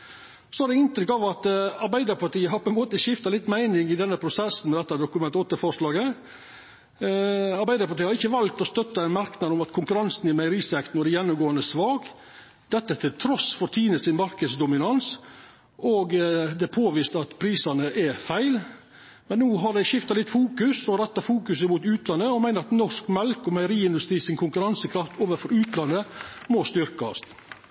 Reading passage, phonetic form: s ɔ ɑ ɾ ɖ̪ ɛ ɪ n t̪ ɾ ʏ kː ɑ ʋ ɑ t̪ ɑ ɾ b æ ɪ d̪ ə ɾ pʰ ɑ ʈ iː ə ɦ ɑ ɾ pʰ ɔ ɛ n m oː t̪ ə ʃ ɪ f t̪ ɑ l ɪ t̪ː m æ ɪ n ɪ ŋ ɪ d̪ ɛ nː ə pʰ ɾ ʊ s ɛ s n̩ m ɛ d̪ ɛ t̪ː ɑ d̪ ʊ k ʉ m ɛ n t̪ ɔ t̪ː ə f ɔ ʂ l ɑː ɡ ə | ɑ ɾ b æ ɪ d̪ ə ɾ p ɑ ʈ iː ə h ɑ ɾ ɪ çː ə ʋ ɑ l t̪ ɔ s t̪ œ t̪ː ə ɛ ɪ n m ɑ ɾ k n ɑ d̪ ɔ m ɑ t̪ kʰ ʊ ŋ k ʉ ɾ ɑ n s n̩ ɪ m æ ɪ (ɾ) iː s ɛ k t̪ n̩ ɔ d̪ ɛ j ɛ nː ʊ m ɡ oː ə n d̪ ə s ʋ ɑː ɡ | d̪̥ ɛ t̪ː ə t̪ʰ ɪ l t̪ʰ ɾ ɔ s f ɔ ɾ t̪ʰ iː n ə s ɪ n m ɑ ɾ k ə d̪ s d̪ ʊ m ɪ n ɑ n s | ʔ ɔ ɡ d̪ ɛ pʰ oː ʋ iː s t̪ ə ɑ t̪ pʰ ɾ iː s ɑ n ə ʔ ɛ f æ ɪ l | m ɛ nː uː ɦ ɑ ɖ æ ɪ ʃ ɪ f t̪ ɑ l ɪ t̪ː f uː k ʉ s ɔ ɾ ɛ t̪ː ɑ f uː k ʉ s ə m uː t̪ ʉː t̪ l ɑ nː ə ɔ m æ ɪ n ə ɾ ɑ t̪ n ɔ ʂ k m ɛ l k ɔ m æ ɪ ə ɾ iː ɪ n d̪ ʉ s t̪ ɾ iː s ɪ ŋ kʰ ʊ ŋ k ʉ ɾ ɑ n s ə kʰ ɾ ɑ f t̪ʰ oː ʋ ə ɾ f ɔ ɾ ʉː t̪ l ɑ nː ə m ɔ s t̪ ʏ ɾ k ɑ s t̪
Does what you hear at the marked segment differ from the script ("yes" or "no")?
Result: no